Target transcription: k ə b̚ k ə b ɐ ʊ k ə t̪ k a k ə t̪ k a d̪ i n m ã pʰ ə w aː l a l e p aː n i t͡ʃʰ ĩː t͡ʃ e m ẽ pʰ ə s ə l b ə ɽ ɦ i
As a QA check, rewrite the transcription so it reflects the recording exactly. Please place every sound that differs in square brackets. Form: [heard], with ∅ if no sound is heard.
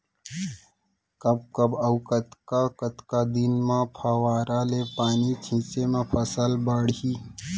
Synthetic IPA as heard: k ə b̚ k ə b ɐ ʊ k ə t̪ k a k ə t̪ k a d̪ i n m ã pʰ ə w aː [ɾ] a l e p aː n i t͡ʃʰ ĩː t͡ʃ e m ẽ pʰ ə s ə l b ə ɽ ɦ i